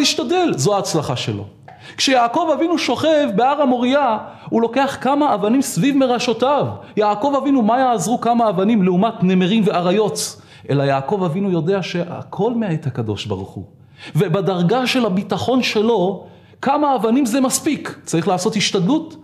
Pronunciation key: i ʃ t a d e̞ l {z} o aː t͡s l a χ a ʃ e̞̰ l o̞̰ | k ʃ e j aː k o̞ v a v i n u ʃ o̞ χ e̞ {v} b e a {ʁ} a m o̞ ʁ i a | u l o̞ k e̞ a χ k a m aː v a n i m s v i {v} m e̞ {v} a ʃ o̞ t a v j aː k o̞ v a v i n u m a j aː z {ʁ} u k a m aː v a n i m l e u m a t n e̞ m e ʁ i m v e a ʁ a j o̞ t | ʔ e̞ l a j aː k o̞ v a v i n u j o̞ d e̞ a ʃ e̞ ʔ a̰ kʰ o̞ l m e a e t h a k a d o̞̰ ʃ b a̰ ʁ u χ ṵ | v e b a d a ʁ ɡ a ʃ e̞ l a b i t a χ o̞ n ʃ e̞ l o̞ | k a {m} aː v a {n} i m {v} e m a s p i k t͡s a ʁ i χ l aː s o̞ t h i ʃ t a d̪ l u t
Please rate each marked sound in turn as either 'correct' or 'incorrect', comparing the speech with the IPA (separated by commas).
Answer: correct, correct, correct, correct, incorrect, correct, correct, correct, incorrect